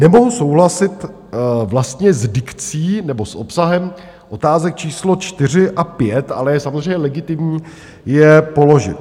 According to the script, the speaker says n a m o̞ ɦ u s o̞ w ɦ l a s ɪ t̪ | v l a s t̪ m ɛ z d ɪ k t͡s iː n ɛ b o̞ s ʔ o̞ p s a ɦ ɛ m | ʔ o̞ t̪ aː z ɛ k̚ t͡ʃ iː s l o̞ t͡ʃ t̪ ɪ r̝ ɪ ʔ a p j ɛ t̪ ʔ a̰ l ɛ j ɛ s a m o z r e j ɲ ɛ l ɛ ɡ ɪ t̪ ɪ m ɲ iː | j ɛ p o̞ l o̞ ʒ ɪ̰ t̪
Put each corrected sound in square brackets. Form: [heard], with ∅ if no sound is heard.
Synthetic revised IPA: n [ɛ] m o̞ ɦ u s o̞ w ɦ l a s ɪ t̪ | v l a s t̪ [ɲ] ɛ z d ɪ k t͡s iː n ɛ b o̞ s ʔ o̞ p s a ɦ ɛ m | ʔ o̞ t̪ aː z ɛ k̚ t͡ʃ iː s l o̞ t͡ʃ t̪ ɪ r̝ ɪ ʔ a p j ɛ t̪ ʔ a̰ l ɛ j ɛ s a m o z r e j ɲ ɛ l ɛ ɡ ɪ t̪ ɪ m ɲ iː | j ɛ p o̞ l o̞ ʒ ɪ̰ t̪

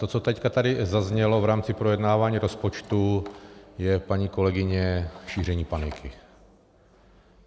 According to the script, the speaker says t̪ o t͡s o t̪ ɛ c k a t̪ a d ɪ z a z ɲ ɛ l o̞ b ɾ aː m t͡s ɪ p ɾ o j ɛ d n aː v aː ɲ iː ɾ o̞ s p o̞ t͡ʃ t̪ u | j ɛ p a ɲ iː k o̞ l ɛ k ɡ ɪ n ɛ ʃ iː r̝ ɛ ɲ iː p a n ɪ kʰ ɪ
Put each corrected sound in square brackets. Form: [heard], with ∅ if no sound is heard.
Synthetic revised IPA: t̪ o t͡s o t̪ ɛ c k a t̪ a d ɪ z a z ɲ ɛ l o̞ [v] ɾ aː m t͡s ɪ p ɾ o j ɛ d n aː v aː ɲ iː ɾ o̞ s p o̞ t͡ʃ t̪ u | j ɛ p a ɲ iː k o̞ l ɛ [∅] ɡ ɪ [ɲ] ɛ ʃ iː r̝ ɛ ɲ iː p a n ɪ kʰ ɪ

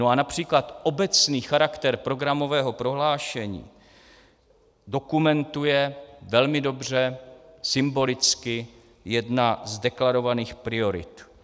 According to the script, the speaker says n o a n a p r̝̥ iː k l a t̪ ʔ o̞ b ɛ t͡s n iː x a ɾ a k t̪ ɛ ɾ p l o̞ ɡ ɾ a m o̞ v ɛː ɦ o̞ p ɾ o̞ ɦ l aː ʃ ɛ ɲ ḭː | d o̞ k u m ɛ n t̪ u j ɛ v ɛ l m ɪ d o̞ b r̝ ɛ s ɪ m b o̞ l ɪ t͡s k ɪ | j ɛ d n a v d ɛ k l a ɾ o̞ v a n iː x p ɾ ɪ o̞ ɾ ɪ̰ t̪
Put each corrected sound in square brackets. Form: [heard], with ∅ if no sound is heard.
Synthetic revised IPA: n o a n a p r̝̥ iː k l a t̪ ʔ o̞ b ɛ t͡s n iː x a ɾ a k t̪ ɛ ɾ p [ɾ] o̞ ɡ ɾ a m o̞ v ɛː ɦ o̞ p ɾ o̞ ɦ l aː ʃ ɛ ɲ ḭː | d o̞ k u m ɛ n t̪ u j ɛ v ɛ l m ɪ d o̞ b r̝ ɛ s ɪ m b o̞ l ɪ t͡s k ɪ | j ɛ d n a [z] d ɛ k l a ɾ o̞ v a n iː x p ɾ ɪ o̞ ɾ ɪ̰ t̪

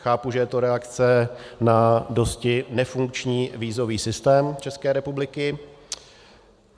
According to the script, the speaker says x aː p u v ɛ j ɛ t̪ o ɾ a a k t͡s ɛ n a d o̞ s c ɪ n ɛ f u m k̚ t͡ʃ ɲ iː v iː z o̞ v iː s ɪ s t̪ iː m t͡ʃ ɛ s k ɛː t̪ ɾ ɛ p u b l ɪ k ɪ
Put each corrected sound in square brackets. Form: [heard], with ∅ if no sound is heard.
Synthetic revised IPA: x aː p u [ʒ] ɛ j ɛ t̪ o ɾ [ɛ] a k t͡s ɛ n a d o̞ s c ɪ n ɛ f u [ŋ] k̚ t͡ʃ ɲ iː v iː z o̞ v iː s ɪ s t̪ [ɛː] m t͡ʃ ɛ s k ɛː [∅] ɾ ɛ p u b l ɪ k ɪ

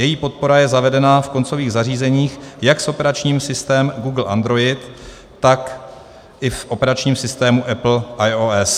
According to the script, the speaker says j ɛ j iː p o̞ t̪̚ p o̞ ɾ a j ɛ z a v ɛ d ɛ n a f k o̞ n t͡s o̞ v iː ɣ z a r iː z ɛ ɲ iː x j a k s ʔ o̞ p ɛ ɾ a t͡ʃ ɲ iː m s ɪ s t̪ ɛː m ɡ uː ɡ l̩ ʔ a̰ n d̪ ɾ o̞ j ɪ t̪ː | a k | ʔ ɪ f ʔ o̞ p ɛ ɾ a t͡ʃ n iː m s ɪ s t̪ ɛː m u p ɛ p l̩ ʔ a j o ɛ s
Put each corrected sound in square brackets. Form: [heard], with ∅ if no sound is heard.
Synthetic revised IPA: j ɛ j iː p o̞ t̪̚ p o̞ ɾ a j ɛ z a v ɛ d ɛ n a f k o̞ n t͡s o̞ v iː ɣ z a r iː z ɛ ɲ iː x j a k s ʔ o̞ p ɛ ɾ a t͡ʃ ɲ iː m s ɪ s t̪ ɛː m ɡ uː ɡ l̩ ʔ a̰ n d̪ ɾ o̞ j ɪ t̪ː | a k | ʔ ɪ f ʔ o̞ p ɛ ɾ a t͡ʃ [ɲ] iː m s ɪ s t̪ ɛː m u [ʔ] ɛ p l̩ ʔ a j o ɛ s

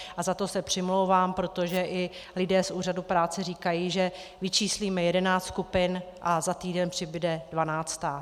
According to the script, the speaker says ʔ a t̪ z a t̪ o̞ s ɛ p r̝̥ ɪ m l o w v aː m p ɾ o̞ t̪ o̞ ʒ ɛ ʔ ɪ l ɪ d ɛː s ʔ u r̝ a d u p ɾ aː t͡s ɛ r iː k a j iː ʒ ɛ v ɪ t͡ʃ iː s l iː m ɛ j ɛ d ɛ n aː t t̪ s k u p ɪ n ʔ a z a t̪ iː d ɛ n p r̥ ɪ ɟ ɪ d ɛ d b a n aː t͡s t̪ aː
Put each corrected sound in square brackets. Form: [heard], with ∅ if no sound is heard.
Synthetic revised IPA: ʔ a [∅] z a t̪ o̞ s ɛ p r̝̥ ɪ m l o w v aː m p ɾ o̞ t̪ o̞ ʒ ɛ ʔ ɪ l ɪ d ɛː s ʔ [uː] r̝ a d u p ɾ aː t͡s ɛ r iː k a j iː ʒ ɛ v ɪ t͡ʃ iː s l iː m ɛ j ɛ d ɛ n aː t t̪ s k u p ɪ n ʔ a z a t̪ iː d ɛ n p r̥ ɪ [b] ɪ d ɛ d [v] a n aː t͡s t̪ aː

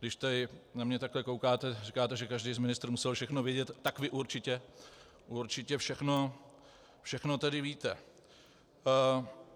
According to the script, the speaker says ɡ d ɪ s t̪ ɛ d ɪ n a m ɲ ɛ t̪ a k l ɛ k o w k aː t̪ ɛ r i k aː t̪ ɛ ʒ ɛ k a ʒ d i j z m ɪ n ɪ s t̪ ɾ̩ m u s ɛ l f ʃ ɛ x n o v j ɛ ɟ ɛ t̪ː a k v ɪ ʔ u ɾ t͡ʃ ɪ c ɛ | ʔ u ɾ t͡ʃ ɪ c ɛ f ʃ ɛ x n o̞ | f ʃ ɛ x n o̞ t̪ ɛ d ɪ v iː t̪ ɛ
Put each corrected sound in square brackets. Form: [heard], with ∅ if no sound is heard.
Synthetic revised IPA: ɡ d ɪ [ʃ] t̪ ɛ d ɪ n a m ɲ ɛ t̪ a k l ɛ k o w k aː t̪ ɛ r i k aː t̪ ɛ ʒ ɛ k a ʒ d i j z m ɪ n ɪ s t̪ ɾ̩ m u s ɛ l f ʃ ɛ x n o v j ɛ ɟ ɛ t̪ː a k v ɪ ʔ u ɾ t͡ʃ ɪ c ɛ | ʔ u ɾ t͡ʃ ɪ c ɛ f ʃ ɛ x n o̞ | f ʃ ɛ x n o̞ t̪ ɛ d ɪ v iː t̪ ɛ

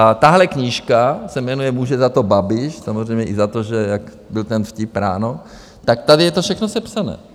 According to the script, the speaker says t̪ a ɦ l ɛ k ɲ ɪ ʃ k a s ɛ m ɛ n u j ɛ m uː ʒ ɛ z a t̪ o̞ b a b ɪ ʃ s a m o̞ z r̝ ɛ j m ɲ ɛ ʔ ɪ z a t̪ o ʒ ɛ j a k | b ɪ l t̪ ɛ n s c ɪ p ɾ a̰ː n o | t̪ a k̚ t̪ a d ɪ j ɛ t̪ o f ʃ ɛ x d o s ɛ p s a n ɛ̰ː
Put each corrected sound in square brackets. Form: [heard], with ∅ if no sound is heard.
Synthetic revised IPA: t̪ a ɦ l ɛ k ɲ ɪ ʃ k a s ɛ m ɛ n u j ɛ m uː ʒ ɛ z a t̪ o̞ b a b ɪ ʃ s a m o̞ z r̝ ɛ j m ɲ ɛ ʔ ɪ z a t̪ o ʒ ɛ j a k | b ɪ l t̪ ɛ n [f] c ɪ p ɾ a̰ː n o | t̪ a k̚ t̪ a d ɪ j ɛ t̪ o f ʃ ɛ x [n] o s ɛ p s a n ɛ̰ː

